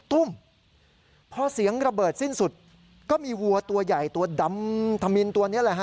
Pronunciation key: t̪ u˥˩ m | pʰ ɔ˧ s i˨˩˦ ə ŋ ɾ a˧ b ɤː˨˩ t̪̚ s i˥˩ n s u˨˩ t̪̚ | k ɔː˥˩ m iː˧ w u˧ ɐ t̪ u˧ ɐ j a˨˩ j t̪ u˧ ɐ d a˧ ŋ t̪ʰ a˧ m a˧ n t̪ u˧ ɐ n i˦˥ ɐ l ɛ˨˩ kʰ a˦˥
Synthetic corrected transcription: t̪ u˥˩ m | pʰ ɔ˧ s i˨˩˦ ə ŋ ɾ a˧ b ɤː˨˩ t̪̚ s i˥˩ n s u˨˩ t̪̚ | k ɔː˥˩ m iː˧ w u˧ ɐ t̪ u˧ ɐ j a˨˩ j t̪ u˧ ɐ d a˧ m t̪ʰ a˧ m i˧ n t̪ u˧ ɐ n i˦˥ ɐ l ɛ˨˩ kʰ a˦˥